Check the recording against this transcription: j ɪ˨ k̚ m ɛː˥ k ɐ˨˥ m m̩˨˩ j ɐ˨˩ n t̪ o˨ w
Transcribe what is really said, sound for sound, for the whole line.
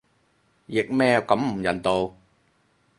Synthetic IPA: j ɪ˨ k̚ m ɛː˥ k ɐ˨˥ m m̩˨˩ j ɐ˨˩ n t̪ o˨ w

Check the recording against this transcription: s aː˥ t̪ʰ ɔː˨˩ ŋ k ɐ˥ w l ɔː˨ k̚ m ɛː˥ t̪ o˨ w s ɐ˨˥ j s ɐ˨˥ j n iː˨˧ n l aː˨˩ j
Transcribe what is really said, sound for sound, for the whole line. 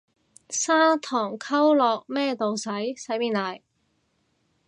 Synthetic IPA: s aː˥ t̪ʰ ɔː˨˩ ŋ kʰ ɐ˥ w l ɔː˨ k̚ m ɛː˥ t̪ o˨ w s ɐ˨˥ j s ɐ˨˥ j m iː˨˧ n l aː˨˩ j

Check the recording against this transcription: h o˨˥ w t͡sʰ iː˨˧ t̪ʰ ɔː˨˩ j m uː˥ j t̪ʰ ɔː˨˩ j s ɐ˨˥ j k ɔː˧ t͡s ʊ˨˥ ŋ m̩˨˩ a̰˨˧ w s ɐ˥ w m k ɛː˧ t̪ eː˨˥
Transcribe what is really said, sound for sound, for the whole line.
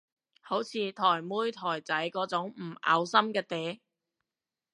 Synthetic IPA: h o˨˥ w t͡sʰ iː˨˧ t̪ʰ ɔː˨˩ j m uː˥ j t̪ʰ ɔː˨˩ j t͡s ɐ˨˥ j k ɔː˨˥ t͡s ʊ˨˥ ŋ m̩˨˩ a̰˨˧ w s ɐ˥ m k ɛː˧ t̪ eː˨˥

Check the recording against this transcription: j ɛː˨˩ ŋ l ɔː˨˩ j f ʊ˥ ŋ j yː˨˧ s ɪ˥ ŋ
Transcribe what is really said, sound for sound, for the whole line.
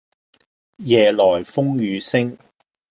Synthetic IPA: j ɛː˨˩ l ɔː˨˩ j f ʊ˥ ŋ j yː˨˧ s ɪ˥ ŋ

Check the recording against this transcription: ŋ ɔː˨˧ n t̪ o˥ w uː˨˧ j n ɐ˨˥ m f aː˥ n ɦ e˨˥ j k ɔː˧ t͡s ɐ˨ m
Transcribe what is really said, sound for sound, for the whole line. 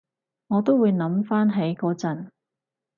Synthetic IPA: ŋ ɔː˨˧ t̪ o˥ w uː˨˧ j n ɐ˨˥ m f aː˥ n ɦ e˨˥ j k ɔː˧ t͡s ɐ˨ n

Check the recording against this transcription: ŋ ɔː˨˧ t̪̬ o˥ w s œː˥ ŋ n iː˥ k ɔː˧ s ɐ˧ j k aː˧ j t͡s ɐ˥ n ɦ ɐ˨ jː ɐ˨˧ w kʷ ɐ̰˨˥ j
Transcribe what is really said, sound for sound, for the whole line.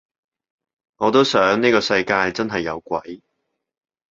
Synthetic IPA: ŋ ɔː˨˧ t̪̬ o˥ w s œː˨˥ ŋ n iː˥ k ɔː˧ s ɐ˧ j k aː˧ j t͡s ɐ˥ n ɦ ɐ˨ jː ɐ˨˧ w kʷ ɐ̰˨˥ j

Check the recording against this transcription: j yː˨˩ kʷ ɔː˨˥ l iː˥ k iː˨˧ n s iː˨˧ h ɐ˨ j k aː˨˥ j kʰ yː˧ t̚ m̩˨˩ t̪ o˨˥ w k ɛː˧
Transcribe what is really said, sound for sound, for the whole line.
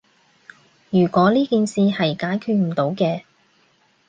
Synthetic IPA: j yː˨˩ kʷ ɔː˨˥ l iː˥ k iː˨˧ n s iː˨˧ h ɐ˨ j k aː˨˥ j kʰ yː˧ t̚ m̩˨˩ t̪ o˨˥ w k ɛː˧

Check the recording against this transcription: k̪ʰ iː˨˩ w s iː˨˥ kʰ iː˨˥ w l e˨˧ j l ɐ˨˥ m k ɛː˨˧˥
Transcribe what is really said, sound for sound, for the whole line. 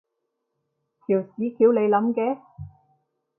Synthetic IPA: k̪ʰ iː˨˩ w s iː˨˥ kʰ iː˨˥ w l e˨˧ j l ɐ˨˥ m k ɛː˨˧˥

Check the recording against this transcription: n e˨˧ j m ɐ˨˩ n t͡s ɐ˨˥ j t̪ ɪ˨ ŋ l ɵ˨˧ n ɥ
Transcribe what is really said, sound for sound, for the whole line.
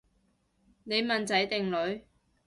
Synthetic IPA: n e˨˧ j m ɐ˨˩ n t͡s ɐ˨˥ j t̪ ɪ˨ ŋ l ɵ˨˧ ɥ

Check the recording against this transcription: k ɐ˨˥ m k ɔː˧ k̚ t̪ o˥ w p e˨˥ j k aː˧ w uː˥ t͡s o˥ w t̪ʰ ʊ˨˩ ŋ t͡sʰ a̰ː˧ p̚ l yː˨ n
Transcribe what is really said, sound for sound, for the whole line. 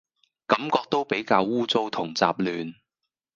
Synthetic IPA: k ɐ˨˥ m k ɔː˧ k̚ t̪ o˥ w p e˨˥ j k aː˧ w uː˥ t͡s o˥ w t̪ʰ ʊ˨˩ ŋ t͡s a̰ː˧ p̚ l yː˨ n

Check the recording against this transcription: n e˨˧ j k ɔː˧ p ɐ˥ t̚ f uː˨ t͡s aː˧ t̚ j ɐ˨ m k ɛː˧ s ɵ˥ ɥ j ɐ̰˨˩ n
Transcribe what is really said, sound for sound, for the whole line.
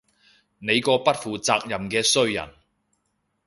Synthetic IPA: n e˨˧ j k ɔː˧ p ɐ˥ t̚ f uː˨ t͡s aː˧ k̚ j ɐ˨ m k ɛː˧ s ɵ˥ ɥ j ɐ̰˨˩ n

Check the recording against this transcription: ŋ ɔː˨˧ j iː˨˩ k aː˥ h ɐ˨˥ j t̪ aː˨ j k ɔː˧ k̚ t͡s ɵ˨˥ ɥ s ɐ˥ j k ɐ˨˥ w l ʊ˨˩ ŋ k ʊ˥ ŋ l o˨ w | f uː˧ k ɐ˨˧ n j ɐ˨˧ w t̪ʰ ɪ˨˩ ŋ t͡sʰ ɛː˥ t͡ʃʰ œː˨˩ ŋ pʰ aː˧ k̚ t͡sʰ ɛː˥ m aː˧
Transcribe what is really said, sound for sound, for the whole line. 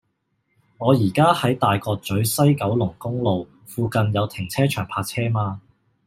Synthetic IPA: ŋ ɔː˨˧ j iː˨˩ k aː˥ h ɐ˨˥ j t̪ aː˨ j k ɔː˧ k̚ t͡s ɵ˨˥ ɥ s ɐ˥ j k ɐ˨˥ w l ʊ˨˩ ŋ k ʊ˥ ŋ l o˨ w | f uː˧ k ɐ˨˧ n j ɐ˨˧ w t̪ʰ ɪ˨˩ ŋ t͡sʰ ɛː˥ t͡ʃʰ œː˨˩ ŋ pʰ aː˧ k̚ t͡sʰ ɛː˥ m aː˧

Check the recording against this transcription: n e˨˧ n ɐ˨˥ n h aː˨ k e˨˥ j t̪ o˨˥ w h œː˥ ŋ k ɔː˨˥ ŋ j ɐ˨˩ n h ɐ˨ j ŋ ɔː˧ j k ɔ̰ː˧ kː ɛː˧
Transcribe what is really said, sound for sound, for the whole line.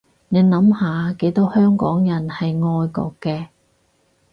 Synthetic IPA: n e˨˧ n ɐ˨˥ m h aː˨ k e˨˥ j t̪ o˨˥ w h œː˥ ŋ k ɔː˨˥ ŋ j ɐ˨˩ n h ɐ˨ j ŋ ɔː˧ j k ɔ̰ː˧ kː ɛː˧

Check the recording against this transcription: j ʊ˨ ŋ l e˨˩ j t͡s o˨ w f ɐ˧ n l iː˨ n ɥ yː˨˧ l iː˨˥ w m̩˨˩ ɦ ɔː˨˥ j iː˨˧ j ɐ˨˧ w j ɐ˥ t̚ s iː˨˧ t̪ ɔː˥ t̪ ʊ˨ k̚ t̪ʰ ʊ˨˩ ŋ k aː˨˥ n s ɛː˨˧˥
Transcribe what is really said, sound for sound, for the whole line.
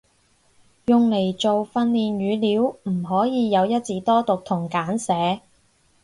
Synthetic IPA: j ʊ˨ ŋ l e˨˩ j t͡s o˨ w f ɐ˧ n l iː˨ n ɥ yː˨˧ l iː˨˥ w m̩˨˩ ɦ ɔː˨˥ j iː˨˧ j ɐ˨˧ w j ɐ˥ t̚ t͡s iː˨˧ t̪ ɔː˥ t̪ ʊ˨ k̚ t̪ʰ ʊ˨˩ ŋ k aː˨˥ n s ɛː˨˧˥

